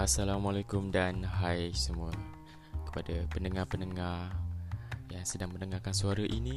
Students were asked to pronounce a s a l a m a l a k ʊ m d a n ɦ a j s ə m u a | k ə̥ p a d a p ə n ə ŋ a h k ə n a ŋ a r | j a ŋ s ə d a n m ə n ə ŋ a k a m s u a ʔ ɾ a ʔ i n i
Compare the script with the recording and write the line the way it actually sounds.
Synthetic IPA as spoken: a s a l a m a l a k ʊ m d a n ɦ a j s ə m u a | k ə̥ p a d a p ə n ə ŋ a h p ə n ə ŋ a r | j a ŋ s ə d a ŋ m ə n ə ŋ a k a n s u a ɾ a ʔ i n i